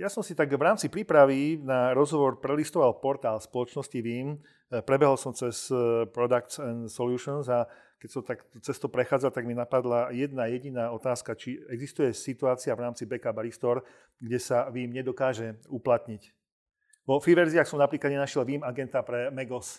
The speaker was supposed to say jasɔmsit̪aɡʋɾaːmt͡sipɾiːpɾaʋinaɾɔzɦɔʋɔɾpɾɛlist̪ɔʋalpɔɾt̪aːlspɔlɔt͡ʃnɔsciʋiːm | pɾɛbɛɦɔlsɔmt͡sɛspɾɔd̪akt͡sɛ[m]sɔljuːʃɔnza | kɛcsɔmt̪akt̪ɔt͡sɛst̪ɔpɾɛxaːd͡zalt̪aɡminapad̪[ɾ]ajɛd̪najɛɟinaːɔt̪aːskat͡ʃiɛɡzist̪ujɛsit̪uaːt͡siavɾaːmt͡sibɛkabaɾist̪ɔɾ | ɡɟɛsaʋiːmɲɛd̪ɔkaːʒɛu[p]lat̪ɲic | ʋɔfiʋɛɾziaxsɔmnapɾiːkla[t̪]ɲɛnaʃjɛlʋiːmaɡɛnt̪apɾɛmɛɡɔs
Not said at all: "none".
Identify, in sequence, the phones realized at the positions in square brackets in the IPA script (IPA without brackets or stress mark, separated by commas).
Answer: n, l, p, d̪